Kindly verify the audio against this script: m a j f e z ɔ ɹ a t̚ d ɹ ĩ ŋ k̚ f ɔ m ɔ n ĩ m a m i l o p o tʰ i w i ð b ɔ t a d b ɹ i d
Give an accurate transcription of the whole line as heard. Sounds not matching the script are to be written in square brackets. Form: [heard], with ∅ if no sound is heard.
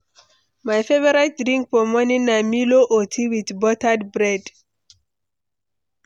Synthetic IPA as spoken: m a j f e [v] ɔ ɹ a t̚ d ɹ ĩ ŋ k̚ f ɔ m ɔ n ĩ [n] a m i l o [ʔ] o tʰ i w i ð b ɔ t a d b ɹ [ɛ] d